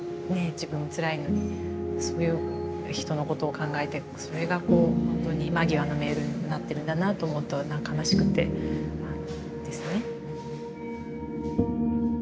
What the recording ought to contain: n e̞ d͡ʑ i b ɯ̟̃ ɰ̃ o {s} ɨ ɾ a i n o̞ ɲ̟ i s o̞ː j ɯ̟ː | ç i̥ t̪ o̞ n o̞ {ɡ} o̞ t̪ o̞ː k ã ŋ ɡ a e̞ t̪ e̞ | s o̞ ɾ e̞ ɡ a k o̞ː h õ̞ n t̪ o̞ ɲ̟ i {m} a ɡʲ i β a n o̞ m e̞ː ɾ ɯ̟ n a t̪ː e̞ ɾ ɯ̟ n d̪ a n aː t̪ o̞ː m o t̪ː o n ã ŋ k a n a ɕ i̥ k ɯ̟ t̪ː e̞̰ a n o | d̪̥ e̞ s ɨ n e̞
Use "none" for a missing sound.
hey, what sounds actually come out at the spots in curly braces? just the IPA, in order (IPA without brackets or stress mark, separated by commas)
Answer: t͡s, k, m